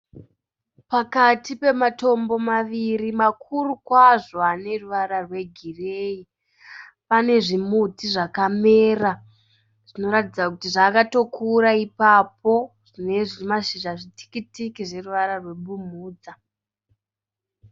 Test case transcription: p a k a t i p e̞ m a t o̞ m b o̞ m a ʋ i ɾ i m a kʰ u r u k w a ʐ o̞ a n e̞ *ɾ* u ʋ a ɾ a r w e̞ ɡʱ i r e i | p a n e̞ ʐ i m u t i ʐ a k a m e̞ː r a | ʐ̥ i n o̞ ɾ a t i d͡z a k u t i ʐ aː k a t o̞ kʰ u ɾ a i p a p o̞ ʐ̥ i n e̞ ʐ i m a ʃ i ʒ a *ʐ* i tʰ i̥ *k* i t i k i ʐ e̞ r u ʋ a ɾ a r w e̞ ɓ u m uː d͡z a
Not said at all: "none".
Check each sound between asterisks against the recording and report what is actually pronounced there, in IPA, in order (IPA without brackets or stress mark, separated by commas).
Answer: r, ʐ, k